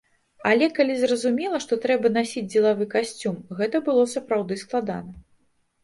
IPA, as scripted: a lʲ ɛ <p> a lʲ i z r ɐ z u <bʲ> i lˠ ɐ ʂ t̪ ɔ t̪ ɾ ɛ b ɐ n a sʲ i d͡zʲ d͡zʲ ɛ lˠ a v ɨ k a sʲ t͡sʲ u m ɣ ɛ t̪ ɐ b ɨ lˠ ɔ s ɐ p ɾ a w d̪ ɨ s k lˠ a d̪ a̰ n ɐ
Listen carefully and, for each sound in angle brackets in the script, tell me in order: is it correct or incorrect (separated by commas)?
incorrect, incorrect